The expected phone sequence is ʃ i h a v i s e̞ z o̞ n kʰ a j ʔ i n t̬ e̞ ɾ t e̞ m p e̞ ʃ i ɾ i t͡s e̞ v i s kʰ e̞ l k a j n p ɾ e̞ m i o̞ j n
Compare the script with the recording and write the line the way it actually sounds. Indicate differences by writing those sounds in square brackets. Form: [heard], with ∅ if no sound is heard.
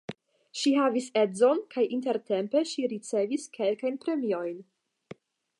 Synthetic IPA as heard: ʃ i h a v i s e̞ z o̞ n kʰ a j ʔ i n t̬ e̞ ɾ t e̞ m p e̞ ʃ i ɾ i t͡s e̞ v i s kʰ e̞ l k a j n p ɾ e̞ m i o̞ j n